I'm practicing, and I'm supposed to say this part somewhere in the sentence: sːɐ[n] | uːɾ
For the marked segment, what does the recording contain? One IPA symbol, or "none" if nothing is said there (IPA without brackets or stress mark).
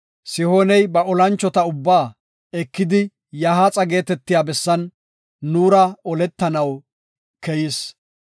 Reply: nː